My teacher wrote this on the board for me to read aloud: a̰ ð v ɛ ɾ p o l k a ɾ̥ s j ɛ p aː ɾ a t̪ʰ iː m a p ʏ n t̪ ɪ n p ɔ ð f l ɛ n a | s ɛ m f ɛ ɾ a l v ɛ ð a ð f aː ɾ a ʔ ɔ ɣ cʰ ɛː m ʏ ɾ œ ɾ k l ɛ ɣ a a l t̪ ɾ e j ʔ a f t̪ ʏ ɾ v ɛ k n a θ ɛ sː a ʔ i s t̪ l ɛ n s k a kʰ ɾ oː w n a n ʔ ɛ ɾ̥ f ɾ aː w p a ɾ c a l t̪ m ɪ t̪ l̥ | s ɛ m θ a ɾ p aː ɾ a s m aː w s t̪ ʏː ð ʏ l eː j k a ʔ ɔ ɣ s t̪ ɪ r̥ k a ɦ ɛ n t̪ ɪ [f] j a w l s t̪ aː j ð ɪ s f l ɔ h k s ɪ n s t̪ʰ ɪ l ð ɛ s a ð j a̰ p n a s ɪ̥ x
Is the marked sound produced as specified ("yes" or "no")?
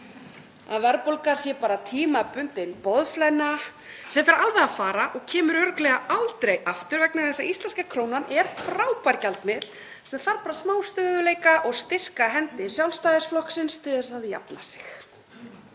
no